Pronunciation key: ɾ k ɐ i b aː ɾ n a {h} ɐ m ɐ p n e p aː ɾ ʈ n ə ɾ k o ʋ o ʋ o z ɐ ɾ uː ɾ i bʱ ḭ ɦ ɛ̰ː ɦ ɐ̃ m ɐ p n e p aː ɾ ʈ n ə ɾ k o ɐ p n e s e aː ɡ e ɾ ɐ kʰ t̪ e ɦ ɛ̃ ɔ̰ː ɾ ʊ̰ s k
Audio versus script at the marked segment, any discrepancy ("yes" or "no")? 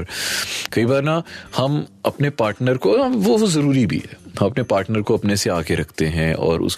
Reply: no